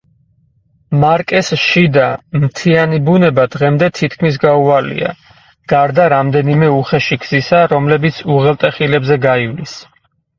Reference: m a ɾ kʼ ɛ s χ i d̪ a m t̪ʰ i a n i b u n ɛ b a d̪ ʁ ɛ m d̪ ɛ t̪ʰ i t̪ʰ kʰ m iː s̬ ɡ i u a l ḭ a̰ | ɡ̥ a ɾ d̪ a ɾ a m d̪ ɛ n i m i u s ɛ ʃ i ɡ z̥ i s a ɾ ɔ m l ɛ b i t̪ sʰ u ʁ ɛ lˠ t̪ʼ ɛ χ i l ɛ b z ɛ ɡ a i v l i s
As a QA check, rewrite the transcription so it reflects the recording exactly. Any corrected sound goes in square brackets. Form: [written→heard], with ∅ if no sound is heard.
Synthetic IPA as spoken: m a ɾ kʼ ɛ s [χ→ʃ] i d̪ a m t̪ʰ i a n i b u n ɛ b a d̪ ʁ ɛ m d̪ ɛ t̪ʰ i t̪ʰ kʰ m [iː→i] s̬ ɡ [i→a] u a l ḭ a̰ | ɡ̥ a ɾ d̪ a ɾ a m d̪ ɛ n i m [i→ɛ] u [s→χ] ɛ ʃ i ɡ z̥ i s a ɾ ɔ m l ɛ b i t̪ sʰ u ʁ ɛ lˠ t̪ʼ ɛ χ i l ɛ b z ɛ ɡ a i v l i s